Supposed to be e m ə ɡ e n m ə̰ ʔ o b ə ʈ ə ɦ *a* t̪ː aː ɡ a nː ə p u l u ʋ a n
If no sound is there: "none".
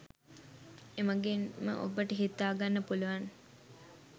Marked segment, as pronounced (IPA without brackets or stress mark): i